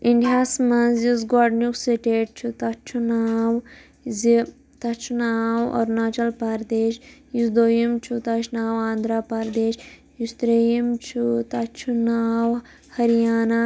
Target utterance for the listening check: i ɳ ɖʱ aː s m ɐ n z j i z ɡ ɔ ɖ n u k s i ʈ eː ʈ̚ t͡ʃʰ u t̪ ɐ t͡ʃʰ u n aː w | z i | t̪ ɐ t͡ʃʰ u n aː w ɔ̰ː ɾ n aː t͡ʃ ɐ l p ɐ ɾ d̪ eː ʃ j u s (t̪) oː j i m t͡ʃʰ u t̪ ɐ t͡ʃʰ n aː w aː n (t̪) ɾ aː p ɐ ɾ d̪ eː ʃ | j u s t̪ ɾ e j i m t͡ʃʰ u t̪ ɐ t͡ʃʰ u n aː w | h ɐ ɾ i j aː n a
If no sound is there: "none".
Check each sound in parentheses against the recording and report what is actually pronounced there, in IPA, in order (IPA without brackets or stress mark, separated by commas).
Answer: d̪, d̪